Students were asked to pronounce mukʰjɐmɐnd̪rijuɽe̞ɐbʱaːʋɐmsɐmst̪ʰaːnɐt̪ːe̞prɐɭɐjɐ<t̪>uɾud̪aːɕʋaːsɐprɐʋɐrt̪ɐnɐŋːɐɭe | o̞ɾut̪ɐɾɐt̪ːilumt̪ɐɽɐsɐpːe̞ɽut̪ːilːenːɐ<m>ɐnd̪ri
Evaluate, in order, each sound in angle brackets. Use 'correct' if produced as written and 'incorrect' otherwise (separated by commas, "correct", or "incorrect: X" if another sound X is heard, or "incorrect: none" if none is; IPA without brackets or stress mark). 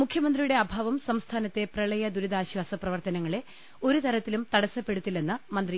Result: incorrect: d̪, correct